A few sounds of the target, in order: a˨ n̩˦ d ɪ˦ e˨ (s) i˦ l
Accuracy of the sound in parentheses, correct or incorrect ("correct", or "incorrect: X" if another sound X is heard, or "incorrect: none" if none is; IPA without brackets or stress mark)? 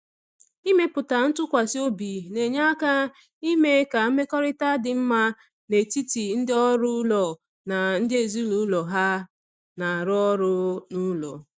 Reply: incorrect: z